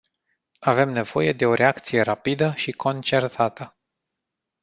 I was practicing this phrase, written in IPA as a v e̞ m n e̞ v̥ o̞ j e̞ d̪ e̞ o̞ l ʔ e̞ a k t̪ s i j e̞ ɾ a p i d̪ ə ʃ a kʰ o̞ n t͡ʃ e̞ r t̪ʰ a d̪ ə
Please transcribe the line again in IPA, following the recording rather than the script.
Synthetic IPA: a v e̞ m n e̞ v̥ o̞ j e̞ d̪ e̞ o̞ ɾ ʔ e̞ a k t̪ s i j e̞ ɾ a p i d̪ ə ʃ i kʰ o̞ n t͡ʃ e̞ r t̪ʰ a t̪ ə